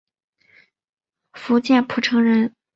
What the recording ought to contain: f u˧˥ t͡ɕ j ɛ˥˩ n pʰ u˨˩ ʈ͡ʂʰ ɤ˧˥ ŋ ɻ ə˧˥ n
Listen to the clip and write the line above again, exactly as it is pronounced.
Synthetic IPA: f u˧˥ t͡ɕ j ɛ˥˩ n pʰ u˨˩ ʈ͡ʂʰ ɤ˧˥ ŋ ɻ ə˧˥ n